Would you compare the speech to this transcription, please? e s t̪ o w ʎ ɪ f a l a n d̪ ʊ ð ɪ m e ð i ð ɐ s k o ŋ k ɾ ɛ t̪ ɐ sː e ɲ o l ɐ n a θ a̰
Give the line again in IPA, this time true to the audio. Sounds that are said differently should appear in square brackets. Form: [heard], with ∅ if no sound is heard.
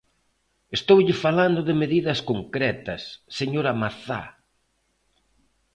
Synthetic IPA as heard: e s t̪ o w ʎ ɪ f a l a n d̪ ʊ ð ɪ m e ð i ð ɐ s k o ŋ k ɾ ɛ t̪ ɐ sː e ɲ o [ɾ] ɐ [m] a θ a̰